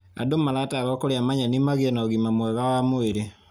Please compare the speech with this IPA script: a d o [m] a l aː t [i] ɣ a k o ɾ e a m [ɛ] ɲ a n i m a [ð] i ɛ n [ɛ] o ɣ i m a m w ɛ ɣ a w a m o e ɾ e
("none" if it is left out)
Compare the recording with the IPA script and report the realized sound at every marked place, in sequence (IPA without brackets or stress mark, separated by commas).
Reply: m, a, a, ɣ, a